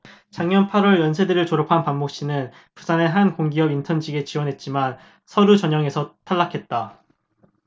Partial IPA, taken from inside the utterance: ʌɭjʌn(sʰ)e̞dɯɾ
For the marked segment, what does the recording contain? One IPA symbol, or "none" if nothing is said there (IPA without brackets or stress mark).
sʰ